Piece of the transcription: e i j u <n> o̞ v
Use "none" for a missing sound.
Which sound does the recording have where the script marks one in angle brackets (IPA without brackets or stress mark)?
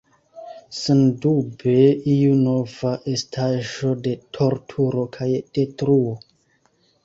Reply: n